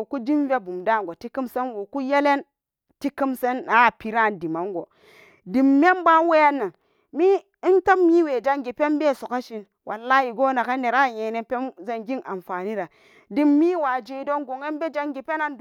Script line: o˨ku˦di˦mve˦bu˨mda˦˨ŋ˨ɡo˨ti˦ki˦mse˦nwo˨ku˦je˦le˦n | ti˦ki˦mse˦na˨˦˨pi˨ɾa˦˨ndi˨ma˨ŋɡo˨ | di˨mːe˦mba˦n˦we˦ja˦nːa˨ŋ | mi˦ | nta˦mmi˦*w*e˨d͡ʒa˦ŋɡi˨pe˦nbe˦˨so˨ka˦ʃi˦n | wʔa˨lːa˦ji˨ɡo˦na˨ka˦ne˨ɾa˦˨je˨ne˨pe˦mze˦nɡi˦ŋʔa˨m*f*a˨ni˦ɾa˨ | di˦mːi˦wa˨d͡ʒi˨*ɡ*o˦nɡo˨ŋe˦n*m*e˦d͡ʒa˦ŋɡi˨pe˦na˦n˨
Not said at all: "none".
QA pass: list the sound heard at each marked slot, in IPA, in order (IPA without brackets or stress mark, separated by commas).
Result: w, f, d, b